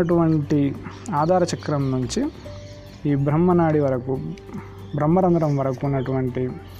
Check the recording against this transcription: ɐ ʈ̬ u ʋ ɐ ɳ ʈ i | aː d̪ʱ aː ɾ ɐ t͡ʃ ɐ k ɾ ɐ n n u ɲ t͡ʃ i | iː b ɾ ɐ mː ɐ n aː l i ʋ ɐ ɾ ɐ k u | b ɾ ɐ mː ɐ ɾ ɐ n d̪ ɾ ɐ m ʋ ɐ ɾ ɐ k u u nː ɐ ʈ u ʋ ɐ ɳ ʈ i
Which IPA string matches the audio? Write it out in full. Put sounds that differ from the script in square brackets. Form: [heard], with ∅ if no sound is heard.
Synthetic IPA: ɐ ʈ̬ u ʋ ɐ ɳ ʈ i | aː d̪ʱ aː ɾ ɐ t͡ʃ ɐ k ɾ ɐ [m] n u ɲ t͡ʃ i | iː b ɾ ɐ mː ɐ n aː [ɽ] i ʋ ɐ ɾ ɐ k u | b ɾ ɐ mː ɐ ɾ ɐ n d̪ ɾ ɐ m ʋ ɐ ɾ ɐ k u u nː ɐ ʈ u ʋ ɐ ɳ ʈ i